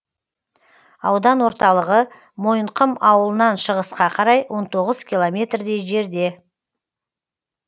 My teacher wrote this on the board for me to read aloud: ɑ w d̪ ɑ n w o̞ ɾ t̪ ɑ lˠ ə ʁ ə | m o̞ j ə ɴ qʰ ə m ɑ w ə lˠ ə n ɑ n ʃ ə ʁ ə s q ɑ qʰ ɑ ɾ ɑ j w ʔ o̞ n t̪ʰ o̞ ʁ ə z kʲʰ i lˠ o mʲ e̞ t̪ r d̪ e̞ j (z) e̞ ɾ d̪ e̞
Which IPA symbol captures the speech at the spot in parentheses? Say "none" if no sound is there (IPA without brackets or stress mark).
ʒ